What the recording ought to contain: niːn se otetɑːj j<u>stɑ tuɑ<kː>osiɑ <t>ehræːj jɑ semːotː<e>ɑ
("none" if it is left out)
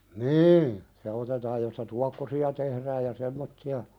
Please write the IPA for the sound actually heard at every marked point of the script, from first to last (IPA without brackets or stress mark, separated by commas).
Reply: o, kː, t, i